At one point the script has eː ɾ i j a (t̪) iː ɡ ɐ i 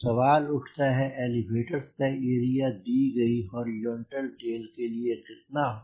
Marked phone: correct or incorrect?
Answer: incorrect: d̪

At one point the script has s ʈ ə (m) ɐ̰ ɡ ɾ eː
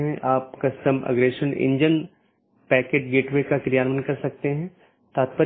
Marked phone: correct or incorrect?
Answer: correct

